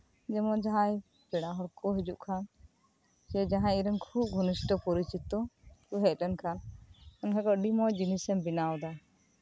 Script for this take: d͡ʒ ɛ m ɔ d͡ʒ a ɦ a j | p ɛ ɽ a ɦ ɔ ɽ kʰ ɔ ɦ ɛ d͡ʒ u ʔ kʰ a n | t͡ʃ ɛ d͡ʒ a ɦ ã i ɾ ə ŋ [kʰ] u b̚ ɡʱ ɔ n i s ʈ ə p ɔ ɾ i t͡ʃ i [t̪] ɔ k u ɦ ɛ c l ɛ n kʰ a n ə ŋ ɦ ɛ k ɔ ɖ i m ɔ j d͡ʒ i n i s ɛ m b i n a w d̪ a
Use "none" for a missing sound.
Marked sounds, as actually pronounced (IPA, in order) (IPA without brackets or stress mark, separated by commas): kʰ, t̪